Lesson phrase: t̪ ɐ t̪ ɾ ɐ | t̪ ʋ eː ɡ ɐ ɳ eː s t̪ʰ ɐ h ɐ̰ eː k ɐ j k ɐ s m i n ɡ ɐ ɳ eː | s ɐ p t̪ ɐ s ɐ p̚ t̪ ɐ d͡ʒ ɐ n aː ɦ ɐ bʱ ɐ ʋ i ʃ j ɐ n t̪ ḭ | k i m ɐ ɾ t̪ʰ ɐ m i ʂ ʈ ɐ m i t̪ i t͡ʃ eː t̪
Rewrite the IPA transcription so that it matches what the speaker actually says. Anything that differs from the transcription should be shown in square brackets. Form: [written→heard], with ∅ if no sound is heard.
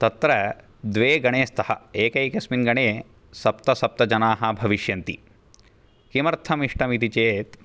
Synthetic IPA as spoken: t̪ ɐ t̪ ɾ ɐ | [t̪→d̪] ʋ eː ɡ ɐ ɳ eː s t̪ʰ ɐ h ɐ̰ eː k ɐ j k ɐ s m i n ɡ ɐ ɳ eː | s ɐ p t̪ ɐ s ɐ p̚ t̪ ɐ d͡ʒ ɐ n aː ɦ ɐ bʱ ɐ ʋ i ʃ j ɐ n t̪ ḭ | k i m ɐ ɾ t̪ʰ ɐ m i ʂ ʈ ɐ m i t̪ i t͡ʃ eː t̪